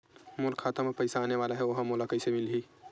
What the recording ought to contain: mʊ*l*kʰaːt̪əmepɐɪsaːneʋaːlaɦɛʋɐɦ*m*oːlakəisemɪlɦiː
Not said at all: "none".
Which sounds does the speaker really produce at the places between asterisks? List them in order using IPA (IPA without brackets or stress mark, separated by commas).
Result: l, m